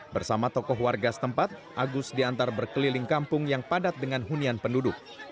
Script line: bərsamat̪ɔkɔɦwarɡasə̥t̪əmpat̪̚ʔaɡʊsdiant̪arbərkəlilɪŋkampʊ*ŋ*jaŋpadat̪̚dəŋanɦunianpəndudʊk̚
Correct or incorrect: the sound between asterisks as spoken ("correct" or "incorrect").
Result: correct